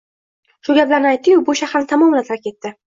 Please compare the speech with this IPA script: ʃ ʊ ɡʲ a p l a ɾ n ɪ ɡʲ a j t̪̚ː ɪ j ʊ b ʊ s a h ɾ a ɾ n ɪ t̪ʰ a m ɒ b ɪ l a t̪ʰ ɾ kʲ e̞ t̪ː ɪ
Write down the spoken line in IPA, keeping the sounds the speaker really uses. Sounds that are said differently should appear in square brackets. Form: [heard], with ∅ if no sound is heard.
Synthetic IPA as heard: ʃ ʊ ɡʲ a p l a ɾ n ɪ [∅] a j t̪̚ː ɪ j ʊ b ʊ [ʃ] a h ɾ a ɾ n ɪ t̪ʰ a m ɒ [m] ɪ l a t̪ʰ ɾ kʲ e̞ t̪ː ɪ